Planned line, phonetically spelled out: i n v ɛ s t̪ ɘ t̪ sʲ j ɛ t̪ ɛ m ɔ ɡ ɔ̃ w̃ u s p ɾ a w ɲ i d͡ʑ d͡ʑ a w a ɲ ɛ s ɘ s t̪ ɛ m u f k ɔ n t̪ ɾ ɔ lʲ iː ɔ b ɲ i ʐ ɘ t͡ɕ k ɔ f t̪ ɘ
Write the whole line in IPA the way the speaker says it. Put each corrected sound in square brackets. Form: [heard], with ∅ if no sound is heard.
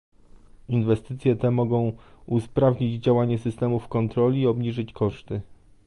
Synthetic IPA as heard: i n v ɛ s t̪ ɘ t̪ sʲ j ɛ t̪ ɛ m ɔ ɡ ɔ̃ w̃ u s p ɾ a [v] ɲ i d͡ʑ d͡ʑ a w a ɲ ɛ s ɘ s t̪ ɛ m u f k ɔ n t̪ ɾ ɔ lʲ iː ɔ b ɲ i ʐ ɘ t͡ɕ k ɔ [ʂ] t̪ ɘ